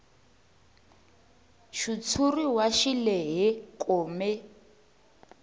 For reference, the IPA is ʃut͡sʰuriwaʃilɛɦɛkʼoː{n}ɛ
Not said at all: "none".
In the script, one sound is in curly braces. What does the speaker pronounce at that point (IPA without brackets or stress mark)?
m